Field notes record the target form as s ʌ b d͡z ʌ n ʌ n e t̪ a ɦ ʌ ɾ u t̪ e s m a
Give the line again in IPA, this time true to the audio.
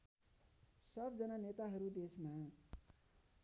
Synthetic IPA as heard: s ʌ b d͡z ʌ n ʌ n e t̪ a ɦ ʌ ɾ u d̪ e s m a